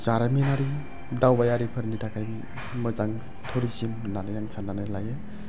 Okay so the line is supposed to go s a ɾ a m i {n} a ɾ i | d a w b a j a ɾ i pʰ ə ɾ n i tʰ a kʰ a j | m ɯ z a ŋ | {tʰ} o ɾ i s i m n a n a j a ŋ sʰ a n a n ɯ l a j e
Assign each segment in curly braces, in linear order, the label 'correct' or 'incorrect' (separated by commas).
correct, correct